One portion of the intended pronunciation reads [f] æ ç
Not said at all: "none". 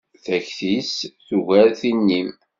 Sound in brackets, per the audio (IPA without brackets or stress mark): θ